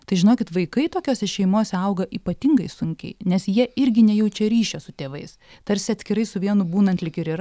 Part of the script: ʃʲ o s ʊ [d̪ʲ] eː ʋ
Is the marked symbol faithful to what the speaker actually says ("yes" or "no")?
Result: no